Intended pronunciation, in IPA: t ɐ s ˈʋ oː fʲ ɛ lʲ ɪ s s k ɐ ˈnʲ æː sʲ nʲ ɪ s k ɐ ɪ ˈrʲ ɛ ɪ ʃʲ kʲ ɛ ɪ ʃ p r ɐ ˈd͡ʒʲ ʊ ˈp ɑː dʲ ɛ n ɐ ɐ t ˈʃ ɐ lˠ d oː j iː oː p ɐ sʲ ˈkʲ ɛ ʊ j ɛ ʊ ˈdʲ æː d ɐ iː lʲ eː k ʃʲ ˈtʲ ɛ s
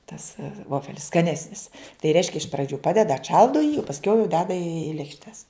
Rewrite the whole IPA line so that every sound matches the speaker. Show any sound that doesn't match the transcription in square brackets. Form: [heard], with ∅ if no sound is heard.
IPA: t ɐ s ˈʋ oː fʲ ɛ lʲ ɪ s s k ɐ ˈnʲ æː sʲ nʲ ɪ s [t] ɐ ɪ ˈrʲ ɛ ɪ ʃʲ kʲ ɛ ɪ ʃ p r ɐ ˈd͡ʒʲ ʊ ˈp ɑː dʲ ɛ [d] ɐ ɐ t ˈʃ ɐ lˠ d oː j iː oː p ɐ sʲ ˈkʲ ɛ ʊ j ɛ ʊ ˈdʲ æː d ɐ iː lʲ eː k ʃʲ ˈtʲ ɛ s